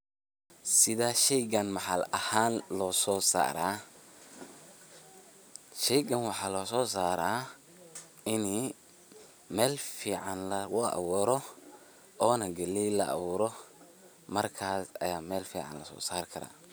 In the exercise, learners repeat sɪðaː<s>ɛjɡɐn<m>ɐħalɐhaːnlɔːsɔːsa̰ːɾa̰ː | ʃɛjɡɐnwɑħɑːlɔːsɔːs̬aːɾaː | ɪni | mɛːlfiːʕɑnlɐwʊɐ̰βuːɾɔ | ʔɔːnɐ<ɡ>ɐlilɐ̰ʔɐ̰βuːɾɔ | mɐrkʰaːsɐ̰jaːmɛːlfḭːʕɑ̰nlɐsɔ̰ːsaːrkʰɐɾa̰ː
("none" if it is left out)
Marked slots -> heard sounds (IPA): ʃ, m, ɡ

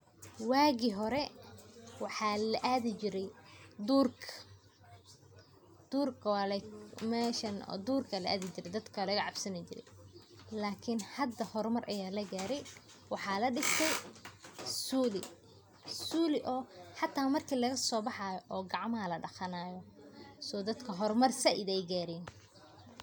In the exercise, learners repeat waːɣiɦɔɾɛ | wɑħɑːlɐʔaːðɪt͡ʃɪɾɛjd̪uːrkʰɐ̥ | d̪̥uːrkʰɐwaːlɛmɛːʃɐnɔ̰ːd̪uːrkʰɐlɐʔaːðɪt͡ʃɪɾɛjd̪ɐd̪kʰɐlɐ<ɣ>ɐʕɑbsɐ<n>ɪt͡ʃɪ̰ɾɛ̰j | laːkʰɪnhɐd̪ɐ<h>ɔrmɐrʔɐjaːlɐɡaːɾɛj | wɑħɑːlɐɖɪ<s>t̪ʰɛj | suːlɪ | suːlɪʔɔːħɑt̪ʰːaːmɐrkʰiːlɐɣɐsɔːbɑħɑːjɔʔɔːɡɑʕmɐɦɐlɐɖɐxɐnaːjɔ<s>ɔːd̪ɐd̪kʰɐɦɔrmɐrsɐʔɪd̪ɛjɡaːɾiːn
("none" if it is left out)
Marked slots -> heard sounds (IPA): ɣ, n, h, s, s

